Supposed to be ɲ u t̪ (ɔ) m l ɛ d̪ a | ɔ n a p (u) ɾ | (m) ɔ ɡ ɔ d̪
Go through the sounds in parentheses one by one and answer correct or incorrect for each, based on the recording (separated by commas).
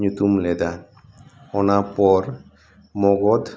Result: incorrect, incorrect, correct